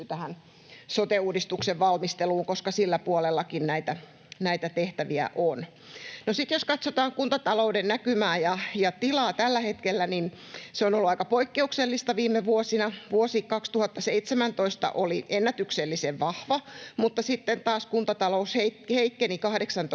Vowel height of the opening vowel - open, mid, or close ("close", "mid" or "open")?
open